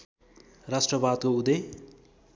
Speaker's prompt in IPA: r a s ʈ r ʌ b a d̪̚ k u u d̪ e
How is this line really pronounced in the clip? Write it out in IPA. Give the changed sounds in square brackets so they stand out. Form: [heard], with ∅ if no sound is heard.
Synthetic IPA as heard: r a s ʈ r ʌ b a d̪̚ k [o] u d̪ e